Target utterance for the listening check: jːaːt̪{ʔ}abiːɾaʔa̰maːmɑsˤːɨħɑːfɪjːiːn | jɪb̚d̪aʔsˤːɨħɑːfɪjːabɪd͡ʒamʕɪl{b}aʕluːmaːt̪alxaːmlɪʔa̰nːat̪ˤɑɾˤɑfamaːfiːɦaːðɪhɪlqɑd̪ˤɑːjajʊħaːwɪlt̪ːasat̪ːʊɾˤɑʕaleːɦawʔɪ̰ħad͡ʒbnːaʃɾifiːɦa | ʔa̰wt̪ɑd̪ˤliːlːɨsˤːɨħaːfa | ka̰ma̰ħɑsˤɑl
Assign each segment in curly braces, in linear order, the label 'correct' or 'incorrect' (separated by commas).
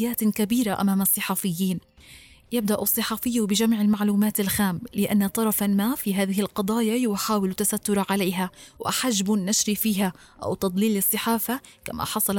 incorrect, incorrect